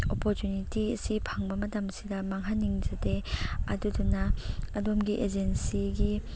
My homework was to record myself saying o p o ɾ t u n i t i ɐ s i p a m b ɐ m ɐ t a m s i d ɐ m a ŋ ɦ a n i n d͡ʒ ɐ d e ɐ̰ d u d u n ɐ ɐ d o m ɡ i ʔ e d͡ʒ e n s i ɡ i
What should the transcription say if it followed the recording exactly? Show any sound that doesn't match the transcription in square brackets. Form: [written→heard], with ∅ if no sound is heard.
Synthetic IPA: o p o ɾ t u n i t i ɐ s i [p→pʰ] a [m→ŋ] b ɐ m ɐ t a m s i d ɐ m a ŋ ɦ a n i [n→ŋ] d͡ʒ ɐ d e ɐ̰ d u d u n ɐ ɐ d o m ɡ i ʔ e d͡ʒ e n s i ɡ i